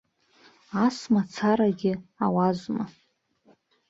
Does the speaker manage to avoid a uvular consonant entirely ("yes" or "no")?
yes